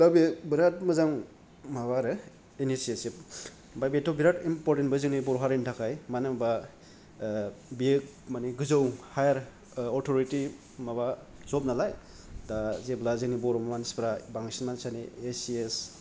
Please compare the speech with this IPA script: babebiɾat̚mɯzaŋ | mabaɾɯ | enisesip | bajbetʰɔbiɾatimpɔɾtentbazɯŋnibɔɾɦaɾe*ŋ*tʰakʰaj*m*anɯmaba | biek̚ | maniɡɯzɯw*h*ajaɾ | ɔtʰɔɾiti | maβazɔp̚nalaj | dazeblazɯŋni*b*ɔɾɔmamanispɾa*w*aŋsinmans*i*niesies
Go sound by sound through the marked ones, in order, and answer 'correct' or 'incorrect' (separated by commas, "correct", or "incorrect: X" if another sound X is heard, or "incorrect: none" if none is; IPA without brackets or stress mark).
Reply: incorrect: n, correct, correct, correct, incorrect: b, incorrect: a